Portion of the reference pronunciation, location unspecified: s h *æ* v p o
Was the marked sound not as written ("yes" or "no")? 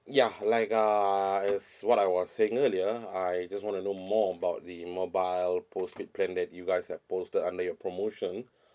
yes